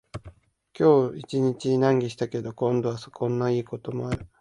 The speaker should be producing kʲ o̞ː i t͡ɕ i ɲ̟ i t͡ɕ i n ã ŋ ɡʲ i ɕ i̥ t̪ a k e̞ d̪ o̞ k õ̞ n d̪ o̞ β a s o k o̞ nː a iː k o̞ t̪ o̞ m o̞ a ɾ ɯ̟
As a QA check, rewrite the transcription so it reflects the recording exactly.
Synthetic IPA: kʲ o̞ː i t͡ɕ i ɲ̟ i t͡ɕ i n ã ŋ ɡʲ i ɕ i̥ t̪ a k e̞ d̪ o̞ k õ̞ n d̪ o̞ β a s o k õ̞ nː a iː k o̞ t̪ o̞ m o̞ a ɾ ɯ̟